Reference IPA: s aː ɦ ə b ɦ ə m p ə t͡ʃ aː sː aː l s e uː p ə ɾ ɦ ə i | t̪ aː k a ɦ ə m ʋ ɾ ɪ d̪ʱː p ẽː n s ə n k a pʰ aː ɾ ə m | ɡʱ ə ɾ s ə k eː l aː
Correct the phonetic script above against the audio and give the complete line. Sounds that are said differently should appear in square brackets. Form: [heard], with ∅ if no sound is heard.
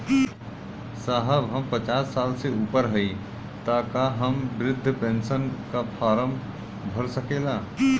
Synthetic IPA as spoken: s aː ɦ ə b ɦ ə m p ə t͡ʃ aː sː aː l s e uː p ə ɾ ɦ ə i | t̪ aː k a ɦ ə m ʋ ɾ ɪ d̪ʱː p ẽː n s ə n k a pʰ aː ɾ ə m | [bʱ] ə ɾ s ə k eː l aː